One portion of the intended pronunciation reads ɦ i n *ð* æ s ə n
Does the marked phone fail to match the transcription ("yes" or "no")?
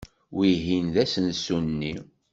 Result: no